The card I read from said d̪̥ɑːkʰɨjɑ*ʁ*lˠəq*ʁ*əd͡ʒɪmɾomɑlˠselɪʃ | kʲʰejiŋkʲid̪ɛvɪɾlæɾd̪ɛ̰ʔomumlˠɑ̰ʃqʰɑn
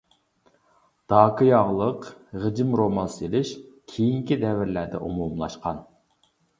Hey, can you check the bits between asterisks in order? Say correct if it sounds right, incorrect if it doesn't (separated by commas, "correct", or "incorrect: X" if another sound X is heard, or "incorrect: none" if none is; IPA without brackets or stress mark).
correct, correct